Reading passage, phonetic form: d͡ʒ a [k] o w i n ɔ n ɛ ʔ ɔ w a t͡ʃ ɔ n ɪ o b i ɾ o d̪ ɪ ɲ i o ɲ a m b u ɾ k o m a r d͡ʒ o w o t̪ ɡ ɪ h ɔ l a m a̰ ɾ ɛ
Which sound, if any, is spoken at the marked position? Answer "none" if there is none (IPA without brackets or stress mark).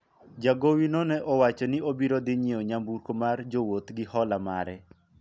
ɡ